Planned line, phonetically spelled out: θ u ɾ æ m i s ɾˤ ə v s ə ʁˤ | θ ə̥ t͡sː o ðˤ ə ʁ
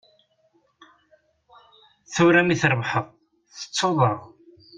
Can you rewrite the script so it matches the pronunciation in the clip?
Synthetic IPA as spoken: θ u ɾ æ m i θ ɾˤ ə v ħ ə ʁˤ | θ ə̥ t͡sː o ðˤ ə ʁ